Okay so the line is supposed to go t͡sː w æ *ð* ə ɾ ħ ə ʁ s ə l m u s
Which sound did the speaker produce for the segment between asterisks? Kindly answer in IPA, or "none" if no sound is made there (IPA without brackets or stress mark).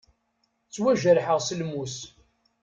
ʒ